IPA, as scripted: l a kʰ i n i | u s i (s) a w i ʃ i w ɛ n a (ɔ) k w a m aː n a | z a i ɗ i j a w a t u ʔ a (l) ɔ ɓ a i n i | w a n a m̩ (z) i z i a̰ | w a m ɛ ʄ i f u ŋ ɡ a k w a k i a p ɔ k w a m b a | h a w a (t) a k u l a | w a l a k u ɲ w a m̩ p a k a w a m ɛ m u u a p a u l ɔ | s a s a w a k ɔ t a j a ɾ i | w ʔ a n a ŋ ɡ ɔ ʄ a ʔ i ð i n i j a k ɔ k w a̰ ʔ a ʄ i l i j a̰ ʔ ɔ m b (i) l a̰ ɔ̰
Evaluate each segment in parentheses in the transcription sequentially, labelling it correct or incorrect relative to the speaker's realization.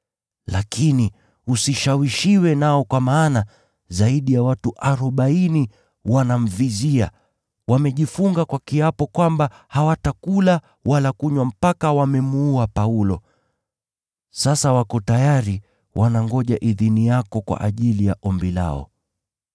incorrect, correct, incorrect, incorrect, correct, correct

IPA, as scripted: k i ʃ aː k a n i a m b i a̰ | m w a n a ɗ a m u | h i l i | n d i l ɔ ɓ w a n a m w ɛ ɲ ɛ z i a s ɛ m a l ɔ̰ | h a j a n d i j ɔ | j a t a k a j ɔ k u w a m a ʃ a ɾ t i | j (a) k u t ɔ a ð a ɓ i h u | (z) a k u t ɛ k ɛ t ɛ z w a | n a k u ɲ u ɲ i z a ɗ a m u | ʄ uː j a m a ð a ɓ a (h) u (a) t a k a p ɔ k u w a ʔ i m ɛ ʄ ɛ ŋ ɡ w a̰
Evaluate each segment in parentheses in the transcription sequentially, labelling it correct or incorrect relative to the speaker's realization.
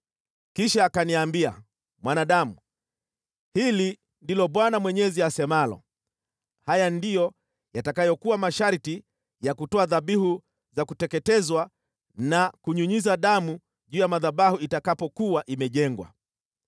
correct, correct, correct, incorrect

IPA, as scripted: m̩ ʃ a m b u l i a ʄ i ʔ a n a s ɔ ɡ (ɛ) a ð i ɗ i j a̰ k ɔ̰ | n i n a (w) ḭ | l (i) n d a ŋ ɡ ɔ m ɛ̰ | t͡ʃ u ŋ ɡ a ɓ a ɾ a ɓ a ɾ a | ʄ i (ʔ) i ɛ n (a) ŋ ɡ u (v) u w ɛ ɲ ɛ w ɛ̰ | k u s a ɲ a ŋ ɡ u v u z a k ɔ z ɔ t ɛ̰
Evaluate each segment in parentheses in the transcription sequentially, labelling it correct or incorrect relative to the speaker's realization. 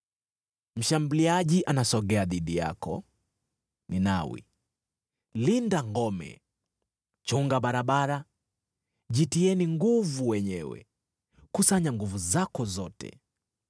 correct, correct, correct, incorrect, incorrect, correct

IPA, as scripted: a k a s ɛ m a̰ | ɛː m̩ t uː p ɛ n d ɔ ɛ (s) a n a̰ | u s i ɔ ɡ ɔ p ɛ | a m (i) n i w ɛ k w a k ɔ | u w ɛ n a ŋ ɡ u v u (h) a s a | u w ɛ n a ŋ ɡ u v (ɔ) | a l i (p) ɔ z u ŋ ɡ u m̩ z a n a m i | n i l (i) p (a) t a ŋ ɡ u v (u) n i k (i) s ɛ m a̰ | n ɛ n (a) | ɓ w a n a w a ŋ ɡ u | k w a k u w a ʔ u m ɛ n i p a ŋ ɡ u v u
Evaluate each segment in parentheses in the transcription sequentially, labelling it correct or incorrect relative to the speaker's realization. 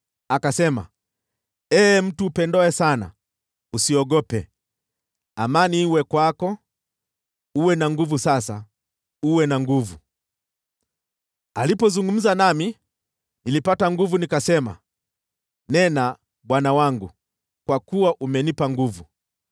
correct, incorrect, incorrect, incorrect, correct, correct, correct, correct, incorrect, correct

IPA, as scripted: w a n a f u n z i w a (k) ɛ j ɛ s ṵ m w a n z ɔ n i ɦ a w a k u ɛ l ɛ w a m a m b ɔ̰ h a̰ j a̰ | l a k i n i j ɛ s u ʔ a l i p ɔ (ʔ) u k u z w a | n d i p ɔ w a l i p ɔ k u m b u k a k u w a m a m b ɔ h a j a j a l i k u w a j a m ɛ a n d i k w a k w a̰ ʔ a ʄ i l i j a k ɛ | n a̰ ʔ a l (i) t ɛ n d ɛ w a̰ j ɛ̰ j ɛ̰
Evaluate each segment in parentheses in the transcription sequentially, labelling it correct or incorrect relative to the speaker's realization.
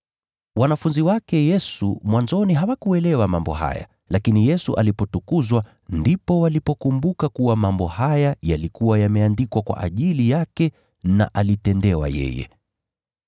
correct, incorrect, correct

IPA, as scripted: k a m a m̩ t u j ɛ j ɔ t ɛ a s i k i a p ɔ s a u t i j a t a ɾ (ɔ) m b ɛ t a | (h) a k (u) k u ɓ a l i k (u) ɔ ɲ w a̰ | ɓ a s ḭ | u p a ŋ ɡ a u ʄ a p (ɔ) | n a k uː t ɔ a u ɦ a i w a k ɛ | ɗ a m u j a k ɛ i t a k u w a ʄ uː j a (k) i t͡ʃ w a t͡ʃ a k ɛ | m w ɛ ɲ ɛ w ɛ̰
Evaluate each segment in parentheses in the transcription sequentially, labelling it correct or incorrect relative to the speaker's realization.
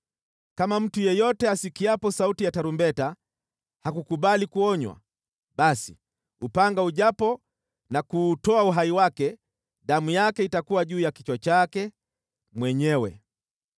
incorrect, correct, correct, correct, correct, correct

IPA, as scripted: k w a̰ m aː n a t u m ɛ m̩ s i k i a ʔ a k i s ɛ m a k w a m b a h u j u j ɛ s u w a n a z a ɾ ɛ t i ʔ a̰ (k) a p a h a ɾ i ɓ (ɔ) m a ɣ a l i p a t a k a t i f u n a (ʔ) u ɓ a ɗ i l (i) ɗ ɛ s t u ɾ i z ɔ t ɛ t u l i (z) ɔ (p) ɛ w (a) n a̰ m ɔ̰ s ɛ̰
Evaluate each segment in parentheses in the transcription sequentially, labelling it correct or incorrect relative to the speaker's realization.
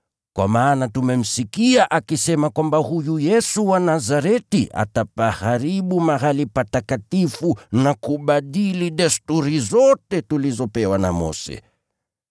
incorrect, incorrect, incorrect, correct, correct, correct, correct

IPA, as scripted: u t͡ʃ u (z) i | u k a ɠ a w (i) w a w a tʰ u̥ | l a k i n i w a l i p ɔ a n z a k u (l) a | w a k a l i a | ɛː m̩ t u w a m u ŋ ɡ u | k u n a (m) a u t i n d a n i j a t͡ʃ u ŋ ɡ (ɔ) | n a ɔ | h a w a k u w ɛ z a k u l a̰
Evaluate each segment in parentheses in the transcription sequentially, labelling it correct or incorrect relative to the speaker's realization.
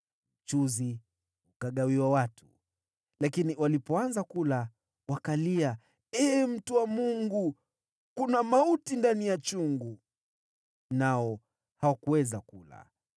correct, correct, correct, correct, incorrect

